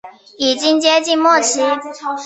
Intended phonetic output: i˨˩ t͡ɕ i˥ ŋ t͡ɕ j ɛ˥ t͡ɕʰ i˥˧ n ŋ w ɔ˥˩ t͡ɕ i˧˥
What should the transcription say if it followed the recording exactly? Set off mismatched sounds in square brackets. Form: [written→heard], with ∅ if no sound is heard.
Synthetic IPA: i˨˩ t͡ɕ i˥ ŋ t͡ɕ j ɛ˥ [t͡ɕʰ→t͡ɕ] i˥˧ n [ŋ→m] w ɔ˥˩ [t͡ɕ→t͡ɕʰ] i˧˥